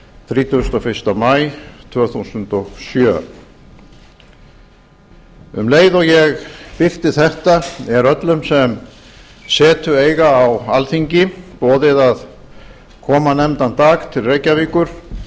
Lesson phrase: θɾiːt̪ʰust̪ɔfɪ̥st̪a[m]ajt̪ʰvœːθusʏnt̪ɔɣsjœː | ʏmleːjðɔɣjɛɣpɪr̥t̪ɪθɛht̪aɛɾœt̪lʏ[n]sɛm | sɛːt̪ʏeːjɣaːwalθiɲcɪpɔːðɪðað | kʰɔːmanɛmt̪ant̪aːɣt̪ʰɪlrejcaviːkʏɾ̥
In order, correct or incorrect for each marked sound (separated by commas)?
correct, incorrect